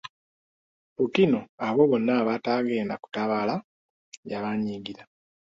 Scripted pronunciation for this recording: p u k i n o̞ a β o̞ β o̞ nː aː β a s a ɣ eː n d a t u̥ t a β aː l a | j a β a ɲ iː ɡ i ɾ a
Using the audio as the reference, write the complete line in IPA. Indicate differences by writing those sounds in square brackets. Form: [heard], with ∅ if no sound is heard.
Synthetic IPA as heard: p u k i n o̞ a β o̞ β o̞ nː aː β a [t] a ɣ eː n d a [k] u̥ t a β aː l a | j a β a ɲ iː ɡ i ɾ a